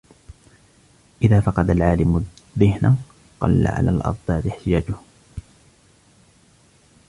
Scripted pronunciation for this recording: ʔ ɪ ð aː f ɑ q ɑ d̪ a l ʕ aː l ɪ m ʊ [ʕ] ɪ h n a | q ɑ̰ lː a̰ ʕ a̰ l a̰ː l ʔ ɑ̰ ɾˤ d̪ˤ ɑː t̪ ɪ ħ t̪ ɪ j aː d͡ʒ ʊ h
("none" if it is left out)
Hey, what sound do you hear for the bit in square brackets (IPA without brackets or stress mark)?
ð